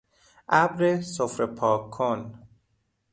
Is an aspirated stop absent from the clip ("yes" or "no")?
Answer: no